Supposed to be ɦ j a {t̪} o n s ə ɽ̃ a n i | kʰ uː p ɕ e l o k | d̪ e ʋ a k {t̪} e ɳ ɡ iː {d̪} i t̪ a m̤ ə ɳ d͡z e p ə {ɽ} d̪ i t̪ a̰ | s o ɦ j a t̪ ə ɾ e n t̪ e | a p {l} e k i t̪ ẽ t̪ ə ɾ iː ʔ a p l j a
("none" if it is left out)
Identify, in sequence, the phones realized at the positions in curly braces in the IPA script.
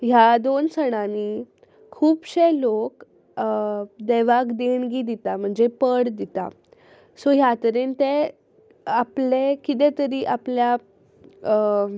d̪, d̪, d̪, ɽ, l

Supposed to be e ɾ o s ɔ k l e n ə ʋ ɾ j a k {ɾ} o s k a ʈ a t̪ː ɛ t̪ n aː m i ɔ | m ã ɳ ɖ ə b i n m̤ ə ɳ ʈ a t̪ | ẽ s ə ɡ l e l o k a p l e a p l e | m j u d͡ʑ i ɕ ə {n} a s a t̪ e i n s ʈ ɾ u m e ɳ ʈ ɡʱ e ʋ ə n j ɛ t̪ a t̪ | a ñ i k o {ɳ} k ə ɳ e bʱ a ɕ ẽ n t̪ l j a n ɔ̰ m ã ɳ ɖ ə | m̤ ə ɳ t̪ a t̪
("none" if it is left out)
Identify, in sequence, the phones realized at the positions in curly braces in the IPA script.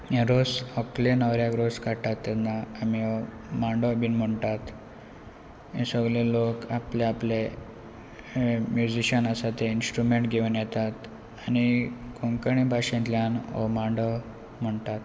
ɾ, n, ŋ

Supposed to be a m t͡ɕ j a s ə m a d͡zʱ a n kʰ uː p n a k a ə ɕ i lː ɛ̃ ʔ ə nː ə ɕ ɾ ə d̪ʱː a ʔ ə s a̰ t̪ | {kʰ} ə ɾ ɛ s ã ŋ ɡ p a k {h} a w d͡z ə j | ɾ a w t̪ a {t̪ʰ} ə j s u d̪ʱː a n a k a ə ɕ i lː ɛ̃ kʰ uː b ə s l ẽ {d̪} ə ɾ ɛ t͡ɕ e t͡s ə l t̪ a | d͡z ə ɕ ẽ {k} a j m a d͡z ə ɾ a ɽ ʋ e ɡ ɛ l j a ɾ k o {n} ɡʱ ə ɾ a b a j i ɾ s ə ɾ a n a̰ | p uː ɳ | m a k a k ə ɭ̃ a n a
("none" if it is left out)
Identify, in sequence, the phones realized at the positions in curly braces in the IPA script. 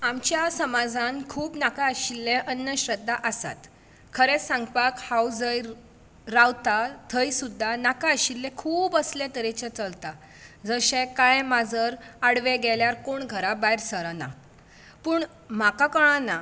kʰ, h, t̪ʰ, t̪, k, ɳ

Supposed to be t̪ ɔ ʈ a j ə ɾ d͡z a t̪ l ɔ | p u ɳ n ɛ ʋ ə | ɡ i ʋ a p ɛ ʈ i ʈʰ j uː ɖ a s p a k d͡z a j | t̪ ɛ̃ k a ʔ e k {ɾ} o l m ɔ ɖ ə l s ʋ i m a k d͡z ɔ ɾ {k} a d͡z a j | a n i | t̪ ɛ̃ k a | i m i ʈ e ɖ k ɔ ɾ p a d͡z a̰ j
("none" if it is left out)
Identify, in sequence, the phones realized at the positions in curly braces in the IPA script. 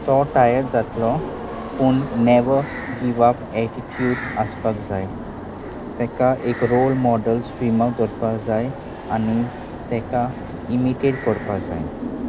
ɾ, p

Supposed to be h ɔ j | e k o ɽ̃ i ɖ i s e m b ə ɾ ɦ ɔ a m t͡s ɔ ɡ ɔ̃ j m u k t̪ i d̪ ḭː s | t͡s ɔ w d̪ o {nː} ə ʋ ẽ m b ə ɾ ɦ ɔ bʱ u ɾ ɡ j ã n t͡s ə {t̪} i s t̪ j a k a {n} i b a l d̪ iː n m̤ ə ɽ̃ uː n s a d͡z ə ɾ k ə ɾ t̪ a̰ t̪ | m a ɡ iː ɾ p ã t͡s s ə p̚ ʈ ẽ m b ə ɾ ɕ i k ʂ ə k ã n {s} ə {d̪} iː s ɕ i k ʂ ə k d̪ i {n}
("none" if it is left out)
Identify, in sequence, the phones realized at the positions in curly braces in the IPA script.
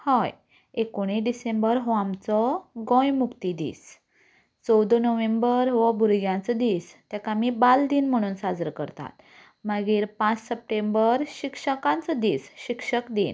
n, d̪, m, t͡s, d̪, n

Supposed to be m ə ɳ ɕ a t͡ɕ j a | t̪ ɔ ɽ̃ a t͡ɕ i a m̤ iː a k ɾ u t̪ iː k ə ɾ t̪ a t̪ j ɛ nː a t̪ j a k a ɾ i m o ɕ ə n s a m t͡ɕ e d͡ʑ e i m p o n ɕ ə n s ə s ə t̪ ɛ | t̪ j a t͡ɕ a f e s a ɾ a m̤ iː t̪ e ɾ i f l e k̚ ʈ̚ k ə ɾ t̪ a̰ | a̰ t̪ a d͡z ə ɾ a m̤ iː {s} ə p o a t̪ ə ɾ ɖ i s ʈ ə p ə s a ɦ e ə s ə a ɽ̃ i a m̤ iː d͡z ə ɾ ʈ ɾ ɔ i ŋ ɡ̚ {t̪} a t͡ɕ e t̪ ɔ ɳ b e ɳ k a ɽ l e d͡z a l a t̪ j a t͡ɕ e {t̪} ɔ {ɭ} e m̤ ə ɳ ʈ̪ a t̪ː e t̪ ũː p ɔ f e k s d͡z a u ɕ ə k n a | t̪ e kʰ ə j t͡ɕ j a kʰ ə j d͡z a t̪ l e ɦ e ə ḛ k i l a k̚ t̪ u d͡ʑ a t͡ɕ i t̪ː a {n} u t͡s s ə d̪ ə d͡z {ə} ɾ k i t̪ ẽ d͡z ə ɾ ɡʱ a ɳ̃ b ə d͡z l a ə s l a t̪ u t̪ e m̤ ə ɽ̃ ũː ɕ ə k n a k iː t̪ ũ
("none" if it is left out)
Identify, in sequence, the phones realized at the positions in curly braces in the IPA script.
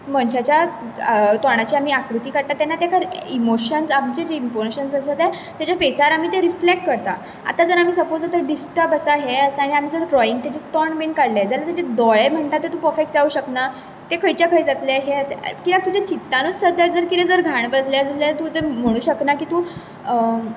s, t̪, d̪, ɭ, n, ə

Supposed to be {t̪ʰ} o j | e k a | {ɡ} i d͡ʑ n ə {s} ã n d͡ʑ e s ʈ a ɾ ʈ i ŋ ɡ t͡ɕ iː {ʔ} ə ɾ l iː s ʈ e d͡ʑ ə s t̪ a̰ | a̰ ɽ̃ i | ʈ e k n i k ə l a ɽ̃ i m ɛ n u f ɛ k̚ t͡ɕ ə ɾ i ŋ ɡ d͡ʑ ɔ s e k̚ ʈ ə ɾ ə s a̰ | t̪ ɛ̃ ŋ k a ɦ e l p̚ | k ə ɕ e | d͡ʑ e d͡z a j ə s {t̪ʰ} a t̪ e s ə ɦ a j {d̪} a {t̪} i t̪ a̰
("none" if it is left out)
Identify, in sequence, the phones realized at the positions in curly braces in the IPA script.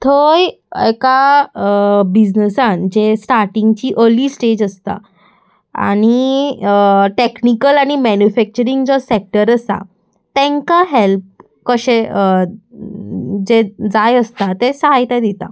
t̪ʰ, b, s, ʔ, t̪, t̪, d̪

